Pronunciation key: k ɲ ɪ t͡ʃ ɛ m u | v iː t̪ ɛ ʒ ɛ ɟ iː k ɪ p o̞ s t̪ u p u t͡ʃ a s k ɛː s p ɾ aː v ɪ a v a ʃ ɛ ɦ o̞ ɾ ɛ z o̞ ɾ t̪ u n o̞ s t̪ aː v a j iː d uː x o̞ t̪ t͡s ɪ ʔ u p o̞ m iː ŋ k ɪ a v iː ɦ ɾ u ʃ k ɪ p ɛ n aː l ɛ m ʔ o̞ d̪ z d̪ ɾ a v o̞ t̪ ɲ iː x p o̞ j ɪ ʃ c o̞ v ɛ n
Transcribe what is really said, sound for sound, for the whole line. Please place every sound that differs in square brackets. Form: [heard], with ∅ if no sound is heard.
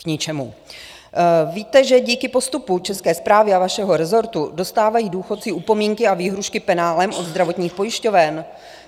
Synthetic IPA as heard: k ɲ ɪ t͡ʃ ɛ m u | v iː t̪ ɛ ʒ ɛ ɟ iː k ɪ p o̞ s t̪ u p u t͡ʃ [ɛ] s k ɛː s p ɾ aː v ɪ a v a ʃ ɛ ɦ o̞ ɾ ɛ z o̞ ɾ t̪ u [d] o̞ s t̪ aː v a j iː d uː x o̞ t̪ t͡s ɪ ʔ u p o̞ m iː ŋ k ɪ a v iː ɦ ɾ u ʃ k ɪ p ɛ n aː l ɛ m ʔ o̞ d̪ z d̪ ɾ a v o̞ t̪ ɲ iː x p o̞ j ɪ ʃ c o̞ v ɛ n